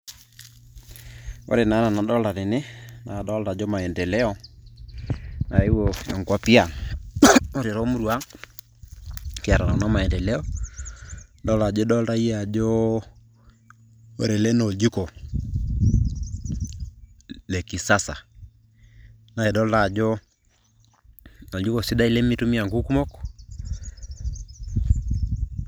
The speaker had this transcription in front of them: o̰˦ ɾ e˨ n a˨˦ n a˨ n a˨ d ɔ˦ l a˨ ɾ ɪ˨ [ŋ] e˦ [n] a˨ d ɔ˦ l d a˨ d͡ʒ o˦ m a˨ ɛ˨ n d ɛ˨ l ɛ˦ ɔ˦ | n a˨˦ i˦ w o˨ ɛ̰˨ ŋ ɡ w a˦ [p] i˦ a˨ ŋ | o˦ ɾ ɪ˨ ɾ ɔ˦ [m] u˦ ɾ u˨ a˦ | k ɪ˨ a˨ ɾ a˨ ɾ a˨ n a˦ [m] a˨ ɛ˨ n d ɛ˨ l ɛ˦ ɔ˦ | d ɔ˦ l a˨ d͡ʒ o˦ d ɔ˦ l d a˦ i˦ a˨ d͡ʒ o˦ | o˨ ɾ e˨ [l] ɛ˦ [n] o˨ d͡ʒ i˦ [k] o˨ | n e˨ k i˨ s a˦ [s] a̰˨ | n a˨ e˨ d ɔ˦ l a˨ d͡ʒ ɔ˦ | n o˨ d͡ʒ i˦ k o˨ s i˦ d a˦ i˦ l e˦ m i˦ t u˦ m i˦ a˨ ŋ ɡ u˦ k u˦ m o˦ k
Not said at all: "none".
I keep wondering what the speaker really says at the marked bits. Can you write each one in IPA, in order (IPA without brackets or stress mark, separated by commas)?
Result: n, n, p, m, m, l, n, k, s